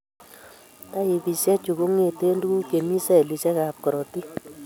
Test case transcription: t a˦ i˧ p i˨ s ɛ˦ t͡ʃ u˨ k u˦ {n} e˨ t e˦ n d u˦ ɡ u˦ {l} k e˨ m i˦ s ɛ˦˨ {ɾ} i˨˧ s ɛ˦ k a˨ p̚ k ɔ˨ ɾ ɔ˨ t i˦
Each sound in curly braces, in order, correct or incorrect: incorrect: ŋ, incorrect: none, incorrect: l

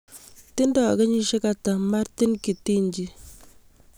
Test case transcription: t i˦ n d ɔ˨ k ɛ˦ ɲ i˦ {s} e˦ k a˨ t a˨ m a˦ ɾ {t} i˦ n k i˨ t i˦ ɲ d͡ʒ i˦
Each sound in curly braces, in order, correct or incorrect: incorrect: ʃ, correct

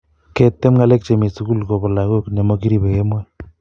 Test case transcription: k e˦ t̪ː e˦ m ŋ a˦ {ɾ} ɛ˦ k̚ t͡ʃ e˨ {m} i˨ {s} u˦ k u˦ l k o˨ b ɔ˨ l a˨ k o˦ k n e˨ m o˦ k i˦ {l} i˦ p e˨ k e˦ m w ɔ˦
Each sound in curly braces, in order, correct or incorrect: incorrect: l, correct, correct, incorrect: ɾ

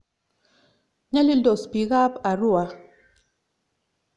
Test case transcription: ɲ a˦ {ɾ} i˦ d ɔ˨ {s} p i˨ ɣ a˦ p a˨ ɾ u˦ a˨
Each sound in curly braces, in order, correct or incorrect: incorrect: l, correct

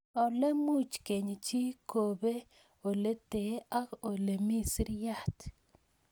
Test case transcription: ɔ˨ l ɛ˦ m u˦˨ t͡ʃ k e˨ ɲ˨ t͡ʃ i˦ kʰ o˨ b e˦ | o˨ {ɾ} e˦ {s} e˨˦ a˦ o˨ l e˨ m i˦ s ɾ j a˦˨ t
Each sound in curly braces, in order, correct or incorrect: incorrect: l, incorrect: t

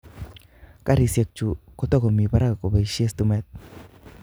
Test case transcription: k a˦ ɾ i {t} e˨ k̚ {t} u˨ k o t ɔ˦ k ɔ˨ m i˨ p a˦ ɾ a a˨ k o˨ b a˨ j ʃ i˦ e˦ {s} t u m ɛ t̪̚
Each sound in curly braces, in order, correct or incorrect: incorrect: s, incorrect: t͡ʃ, correct

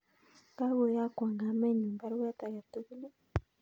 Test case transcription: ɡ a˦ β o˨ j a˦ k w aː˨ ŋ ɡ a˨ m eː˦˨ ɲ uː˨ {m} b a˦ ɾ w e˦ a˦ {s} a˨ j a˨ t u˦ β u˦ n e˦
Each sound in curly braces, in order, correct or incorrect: correct, incorrect: t

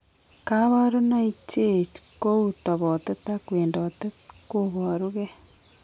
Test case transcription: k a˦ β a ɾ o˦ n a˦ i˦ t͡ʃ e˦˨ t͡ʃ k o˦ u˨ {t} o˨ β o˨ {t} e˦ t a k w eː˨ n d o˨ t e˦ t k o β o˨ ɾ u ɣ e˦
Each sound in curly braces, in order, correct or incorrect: correct, correct

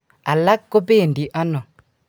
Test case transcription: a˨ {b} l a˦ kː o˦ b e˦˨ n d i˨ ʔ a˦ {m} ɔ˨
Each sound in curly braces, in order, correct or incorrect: incorrect: none, incorrect: n

